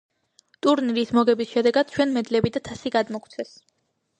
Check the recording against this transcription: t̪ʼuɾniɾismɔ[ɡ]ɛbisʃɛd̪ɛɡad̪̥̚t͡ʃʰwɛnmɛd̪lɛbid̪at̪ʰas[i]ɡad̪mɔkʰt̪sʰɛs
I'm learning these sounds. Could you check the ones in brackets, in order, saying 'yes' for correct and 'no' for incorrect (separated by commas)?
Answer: yes, yes